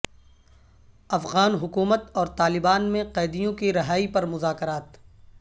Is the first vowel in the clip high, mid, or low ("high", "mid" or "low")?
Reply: low